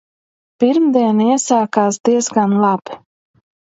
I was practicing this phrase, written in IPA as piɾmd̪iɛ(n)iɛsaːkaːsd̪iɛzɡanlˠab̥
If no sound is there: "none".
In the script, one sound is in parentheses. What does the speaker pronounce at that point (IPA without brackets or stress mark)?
n